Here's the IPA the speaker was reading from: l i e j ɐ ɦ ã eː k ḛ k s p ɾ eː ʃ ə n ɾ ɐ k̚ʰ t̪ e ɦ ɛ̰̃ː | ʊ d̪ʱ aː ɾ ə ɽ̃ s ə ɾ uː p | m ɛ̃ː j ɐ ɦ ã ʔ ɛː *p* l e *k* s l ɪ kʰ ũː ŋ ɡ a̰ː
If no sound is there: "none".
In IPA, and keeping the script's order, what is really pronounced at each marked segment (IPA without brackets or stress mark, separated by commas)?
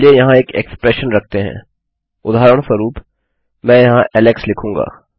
none, k